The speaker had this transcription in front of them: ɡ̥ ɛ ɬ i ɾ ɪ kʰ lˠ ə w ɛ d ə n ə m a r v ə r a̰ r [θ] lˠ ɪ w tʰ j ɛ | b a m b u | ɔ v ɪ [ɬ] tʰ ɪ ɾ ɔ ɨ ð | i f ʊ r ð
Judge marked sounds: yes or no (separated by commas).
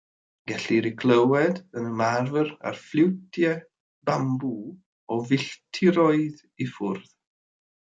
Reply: no, yes